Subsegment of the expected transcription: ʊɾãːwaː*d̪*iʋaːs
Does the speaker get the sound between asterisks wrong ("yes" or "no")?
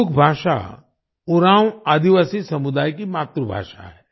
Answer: no